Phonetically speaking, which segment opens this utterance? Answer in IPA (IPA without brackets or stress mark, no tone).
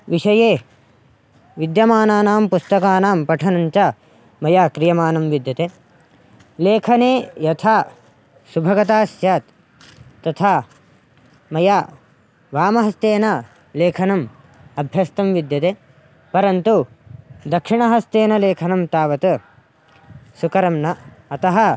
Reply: ʋ